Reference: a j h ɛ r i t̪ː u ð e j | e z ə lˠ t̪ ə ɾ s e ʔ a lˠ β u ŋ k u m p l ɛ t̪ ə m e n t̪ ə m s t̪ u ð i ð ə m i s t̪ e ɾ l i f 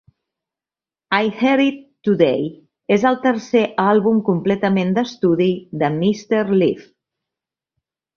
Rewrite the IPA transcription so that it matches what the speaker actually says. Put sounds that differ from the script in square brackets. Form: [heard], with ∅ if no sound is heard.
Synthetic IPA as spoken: a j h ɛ [ɾ] i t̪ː u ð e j | e z ə lˠ t̪ ə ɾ s e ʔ a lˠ β u [m] k u m p l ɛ t̪ ə m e n [d̪] ə [∅] s t̪ u ð i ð ə m i s t̪ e ɾ l i f